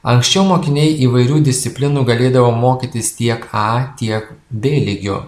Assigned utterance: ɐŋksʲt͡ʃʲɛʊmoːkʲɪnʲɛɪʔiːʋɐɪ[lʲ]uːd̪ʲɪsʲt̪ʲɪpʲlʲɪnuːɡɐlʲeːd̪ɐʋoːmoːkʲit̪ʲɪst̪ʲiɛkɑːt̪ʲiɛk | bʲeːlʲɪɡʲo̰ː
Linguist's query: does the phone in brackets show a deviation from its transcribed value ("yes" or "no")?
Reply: yes